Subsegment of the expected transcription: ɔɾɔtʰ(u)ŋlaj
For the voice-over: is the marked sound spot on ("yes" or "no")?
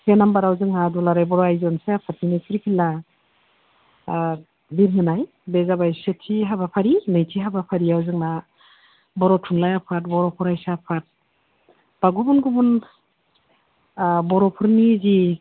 yes